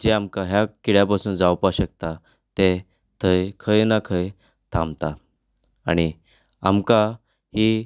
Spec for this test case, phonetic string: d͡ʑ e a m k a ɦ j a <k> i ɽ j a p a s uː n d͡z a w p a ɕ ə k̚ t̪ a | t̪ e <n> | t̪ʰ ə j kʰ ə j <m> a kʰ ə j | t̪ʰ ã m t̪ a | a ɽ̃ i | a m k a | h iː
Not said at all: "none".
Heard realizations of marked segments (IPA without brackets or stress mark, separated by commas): k, none, n